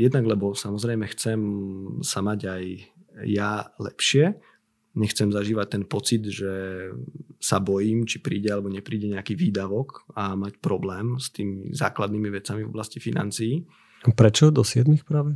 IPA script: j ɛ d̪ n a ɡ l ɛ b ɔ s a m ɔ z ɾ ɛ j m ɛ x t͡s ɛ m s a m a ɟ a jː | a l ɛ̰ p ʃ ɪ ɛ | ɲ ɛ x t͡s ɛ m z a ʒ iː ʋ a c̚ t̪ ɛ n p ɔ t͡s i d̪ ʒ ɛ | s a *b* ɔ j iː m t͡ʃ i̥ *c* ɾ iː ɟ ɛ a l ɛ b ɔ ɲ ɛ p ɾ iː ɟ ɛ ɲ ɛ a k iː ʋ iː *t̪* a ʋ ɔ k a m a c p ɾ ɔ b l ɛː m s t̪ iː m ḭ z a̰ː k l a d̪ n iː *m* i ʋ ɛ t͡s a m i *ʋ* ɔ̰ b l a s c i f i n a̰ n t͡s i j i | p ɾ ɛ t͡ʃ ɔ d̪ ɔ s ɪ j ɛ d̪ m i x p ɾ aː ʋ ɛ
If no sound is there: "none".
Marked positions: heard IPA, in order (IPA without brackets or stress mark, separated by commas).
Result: b, p, d̪, m, v